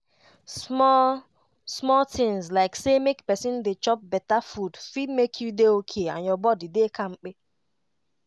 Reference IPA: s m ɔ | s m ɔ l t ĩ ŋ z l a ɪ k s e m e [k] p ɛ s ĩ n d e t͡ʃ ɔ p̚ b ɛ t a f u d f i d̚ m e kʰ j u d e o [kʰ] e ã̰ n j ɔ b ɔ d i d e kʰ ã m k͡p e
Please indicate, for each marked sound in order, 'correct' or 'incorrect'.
correct, correct

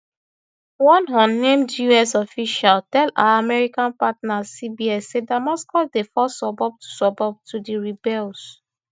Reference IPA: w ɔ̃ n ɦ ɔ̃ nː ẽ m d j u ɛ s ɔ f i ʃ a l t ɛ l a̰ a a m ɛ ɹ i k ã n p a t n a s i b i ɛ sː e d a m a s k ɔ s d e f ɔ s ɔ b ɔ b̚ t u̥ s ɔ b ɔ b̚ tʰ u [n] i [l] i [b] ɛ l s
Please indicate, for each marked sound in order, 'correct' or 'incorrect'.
incorrect, incorrect, correct

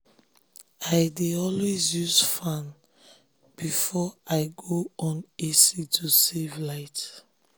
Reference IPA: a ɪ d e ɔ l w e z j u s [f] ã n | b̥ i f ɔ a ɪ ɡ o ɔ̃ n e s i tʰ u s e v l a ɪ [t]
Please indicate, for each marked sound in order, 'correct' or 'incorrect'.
correct, correct

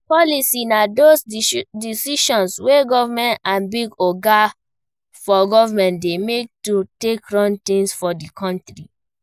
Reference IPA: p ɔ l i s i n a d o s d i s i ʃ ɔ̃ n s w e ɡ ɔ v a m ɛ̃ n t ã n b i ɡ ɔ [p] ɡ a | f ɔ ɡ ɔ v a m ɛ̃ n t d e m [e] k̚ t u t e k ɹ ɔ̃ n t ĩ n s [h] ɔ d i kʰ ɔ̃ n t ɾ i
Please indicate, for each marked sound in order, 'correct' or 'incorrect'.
incorrect, correct, incorrect

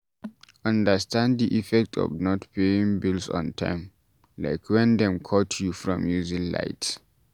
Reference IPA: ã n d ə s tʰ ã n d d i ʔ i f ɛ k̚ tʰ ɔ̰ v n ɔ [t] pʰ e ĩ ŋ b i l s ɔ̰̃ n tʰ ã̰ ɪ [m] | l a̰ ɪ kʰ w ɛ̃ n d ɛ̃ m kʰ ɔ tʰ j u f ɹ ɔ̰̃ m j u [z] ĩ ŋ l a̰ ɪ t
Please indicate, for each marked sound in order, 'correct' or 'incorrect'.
correct, correct, correct

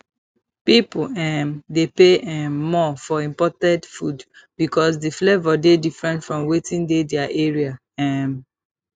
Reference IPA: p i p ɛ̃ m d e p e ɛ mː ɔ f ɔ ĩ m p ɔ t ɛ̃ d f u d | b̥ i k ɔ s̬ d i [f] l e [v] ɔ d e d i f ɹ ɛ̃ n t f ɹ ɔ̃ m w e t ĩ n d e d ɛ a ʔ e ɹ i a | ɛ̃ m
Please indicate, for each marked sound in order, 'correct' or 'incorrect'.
correct, correct

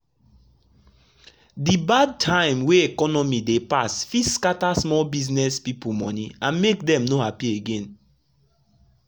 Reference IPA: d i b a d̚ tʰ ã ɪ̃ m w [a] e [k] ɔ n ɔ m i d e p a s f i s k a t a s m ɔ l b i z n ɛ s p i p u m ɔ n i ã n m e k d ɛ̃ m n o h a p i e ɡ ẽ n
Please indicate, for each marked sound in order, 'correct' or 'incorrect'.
incorrect, correct

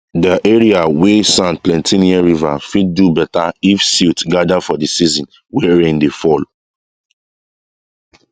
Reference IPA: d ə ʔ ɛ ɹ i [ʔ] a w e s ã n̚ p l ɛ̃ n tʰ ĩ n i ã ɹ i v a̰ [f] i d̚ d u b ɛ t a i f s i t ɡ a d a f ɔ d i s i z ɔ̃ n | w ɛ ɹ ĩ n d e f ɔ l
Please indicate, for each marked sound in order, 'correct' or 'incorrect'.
incorrect, correct

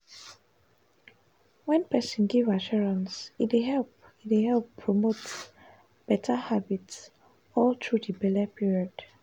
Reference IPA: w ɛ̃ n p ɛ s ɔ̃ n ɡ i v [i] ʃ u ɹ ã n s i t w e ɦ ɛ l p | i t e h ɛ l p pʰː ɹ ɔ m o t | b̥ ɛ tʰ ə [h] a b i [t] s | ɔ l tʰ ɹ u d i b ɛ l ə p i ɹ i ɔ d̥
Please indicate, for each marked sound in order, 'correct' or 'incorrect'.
incorrect, correct, correct

